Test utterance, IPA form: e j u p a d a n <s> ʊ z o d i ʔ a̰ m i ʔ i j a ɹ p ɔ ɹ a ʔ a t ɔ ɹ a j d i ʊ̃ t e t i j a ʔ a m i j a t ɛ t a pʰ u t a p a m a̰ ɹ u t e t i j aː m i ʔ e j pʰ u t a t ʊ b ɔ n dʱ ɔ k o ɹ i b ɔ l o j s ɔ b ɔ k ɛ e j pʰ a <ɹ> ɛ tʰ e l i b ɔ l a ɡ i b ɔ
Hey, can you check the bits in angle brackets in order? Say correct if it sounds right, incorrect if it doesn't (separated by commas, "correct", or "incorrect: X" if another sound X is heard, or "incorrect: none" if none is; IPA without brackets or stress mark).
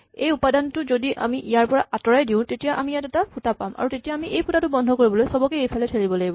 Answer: incorrect: t, incorrect: l